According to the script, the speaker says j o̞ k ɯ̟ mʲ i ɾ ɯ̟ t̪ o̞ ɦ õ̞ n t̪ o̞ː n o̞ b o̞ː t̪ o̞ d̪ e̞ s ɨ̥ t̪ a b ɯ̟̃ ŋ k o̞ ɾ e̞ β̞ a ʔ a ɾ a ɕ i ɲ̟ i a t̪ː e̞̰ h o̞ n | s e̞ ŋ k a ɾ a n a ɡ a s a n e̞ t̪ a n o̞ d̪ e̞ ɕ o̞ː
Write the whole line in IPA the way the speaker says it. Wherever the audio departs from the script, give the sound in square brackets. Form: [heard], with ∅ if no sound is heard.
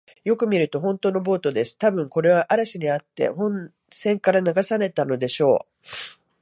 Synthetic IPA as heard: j o̞ k ɯ̟ mʲ i ɾ ɯ̟ t̪ o̞ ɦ õ̞ n t̪ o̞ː n o̞ b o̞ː t̪ o̞ d̪ e̞ s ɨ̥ t̪ a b ɯ̟̃ ŋ k o̞ ɾ e̞ β̞ a ʔ a ɾ a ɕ i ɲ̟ i a t̪ː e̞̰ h [õ̞] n | s [ẽ̞] ŋ k a ɾ a n a ɡ a s a n e̞ t̪ a n o̞ d̪ e̞ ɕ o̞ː